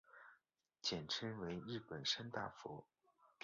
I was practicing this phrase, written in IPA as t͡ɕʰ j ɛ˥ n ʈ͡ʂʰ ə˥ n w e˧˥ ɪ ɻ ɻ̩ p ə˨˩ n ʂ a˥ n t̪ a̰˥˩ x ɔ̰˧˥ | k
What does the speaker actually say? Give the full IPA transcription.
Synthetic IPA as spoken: t͡ɕ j ɛ˨˩ n ʈ͡ʂʰ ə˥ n w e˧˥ ɪ ɻ ɻ̩ p ə˨˩ n ʂ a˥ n t̪ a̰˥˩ f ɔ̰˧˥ | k